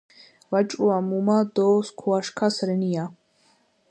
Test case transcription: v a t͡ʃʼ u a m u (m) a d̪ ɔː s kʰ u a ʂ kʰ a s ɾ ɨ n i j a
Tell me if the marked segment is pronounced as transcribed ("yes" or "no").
yes